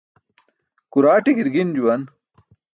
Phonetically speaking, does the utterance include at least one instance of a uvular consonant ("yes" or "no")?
no